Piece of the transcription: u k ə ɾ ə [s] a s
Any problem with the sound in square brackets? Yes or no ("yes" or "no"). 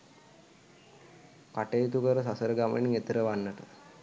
no